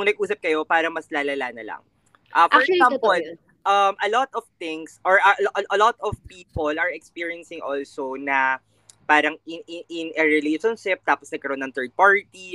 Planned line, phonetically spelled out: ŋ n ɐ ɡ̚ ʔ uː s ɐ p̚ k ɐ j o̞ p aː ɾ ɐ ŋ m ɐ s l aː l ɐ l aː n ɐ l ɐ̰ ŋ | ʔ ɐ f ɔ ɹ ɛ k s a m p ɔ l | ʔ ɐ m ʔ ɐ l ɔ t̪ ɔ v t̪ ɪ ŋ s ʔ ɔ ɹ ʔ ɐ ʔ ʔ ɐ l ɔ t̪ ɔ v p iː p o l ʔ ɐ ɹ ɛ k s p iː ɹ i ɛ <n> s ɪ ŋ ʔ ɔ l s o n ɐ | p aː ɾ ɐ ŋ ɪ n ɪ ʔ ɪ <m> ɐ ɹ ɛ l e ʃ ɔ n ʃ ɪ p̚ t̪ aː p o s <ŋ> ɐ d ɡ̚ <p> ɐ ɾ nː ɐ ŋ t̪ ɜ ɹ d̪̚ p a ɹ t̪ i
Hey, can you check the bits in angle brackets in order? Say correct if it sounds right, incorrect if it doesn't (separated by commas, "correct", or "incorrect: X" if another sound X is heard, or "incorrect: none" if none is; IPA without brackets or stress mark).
correct, incorrect: n, incorrect: n, incorrect: k